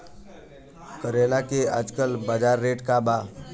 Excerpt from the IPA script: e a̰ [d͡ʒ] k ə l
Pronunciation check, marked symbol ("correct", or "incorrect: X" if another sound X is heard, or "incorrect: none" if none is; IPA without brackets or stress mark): correct